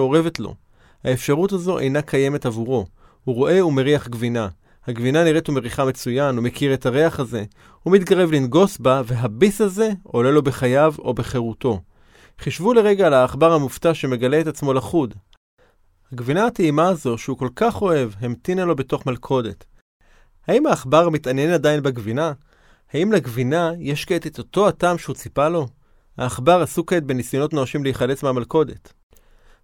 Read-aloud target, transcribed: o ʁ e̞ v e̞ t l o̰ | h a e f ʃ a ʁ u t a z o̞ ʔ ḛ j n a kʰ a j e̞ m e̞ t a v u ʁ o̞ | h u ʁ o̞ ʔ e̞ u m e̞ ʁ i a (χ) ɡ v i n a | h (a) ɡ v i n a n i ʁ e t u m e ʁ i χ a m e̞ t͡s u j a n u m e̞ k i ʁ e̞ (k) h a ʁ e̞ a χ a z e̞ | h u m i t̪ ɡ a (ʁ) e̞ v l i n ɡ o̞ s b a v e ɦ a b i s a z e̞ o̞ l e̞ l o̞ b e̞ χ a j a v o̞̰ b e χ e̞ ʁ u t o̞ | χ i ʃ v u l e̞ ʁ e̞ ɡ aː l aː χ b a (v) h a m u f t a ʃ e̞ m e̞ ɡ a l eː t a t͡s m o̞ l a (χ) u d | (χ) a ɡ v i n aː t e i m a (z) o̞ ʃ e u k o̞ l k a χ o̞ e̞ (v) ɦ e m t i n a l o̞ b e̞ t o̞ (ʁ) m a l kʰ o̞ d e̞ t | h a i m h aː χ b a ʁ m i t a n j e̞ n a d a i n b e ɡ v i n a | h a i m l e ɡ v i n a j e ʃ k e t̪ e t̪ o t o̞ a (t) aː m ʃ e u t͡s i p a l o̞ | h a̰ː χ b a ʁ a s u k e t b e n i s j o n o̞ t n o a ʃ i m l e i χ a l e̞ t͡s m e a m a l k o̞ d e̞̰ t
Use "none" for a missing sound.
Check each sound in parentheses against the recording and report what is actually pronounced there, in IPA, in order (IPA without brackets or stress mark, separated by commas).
χ, a, t, ʁ, ʁ, χ, h, z, v, χ, t